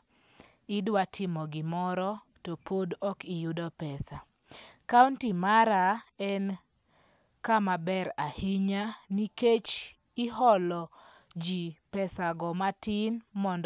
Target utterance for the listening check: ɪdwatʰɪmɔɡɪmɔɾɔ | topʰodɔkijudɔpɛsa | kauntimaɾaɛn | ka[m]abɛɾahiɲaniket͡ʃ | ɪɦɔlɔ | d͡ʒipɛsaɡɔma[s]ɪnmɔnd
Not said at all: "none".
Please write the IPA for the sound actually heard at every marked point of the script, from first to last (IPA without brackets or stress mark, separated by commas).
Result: m, t